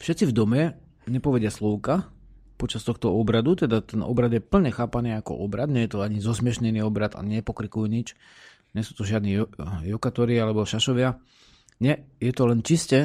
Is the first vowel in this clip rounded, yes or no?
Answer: no